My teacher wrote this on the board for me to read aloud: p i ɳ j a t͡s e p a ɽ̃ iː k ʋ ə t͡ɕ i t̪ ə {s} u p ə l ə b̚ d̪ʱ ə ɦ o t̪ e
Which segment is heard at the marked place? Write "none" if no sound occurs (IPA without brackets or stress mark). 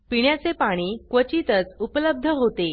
t͡s